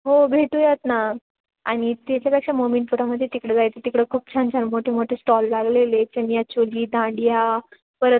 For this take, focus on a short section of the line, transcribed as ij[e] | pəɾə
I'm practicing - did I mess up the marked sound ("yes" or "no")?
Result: yes